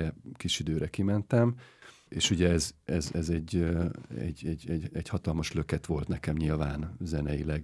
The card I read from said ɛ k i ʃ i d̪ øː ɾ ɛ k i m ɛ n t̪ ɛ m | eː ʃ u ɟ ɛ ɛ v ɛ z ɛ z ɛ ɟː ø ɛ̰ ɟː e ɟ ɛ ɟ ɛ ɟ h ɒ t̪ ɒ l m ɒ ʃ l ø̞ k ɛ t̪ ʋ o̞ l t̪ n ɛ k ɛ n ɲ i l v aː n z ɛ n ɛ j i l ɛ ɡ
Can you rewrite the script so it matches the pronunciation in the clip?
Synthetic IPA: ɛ k i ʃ i d̪ øː ɾ ɛ k i m ɛ n t̪ ɛ m | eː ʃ u ɟ ɛ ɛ z ɛ z ɛ z ɛ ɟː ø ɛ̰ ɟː ɛ ɟ ɛ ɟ ɛ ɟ h ɒ t̪ ɒ l m ɒ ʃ l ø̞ k ɛ t̪ ʋ o̞ l t̪ n ɛ k ɛ m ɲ i l v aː n z ɛ n ɛ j i l ɛ ɡ